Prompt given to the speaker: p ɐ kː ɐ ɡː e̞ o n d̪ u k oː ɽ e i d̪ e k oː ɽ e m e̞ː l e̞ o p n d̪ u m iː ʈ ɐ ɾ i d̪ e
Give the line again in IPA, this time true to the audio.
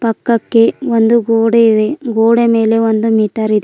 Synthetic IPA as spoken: p ɐ kː ɐ kː e̞ o n d̪ u ɡ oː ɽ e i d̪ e ɡ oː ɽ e m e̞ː l e̞ o n d̪ u m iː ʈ ɐ ɾ i d̪ e